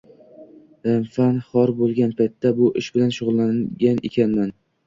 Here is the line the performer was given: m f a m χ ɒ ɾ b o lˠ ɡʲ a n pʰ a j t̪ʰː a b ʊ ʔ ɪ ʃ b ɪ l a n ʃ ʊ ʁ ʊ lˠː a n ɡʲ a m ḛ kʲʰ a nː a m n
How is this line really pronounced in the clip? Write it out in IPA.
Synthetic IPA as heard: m f a n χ ɒ ɾ b o lˠ ɡʲ a n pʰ a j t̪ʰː a b ʊ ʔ ɪ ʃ b ɪ l a n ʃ ʊ ʁ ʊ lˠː a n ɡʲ a n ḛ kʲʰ a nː a n